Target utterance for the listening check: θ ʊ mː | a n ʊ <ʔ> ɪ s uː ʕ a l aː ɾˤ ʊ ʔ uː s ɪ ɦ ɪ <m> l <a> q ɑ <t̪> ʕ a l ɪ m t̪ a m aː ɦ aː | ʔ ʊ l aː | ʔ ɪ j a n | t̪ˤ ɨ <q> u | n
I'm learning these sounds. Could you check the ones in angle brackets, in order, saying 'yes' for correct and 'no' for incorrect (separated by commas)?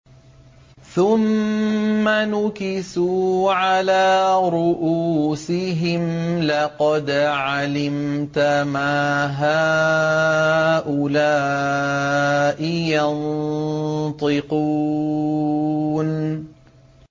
no, yes, no, no, yes